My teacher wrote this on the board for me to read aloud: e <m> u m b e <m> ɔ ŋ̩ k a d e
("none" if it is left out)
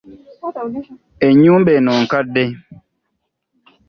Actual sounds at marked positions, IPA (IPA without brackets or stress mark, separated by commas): ɲ, n